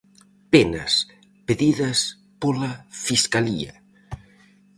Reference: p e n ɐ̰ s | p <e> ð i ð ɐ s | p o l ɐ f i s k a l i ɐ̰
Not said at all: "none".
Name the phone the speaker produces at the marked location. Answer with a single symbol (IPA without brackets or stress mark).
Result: e